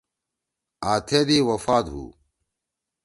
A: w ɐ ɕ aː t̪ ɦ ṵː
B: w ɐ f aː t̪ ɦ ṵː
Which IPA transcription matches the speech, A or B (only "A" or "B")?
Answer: B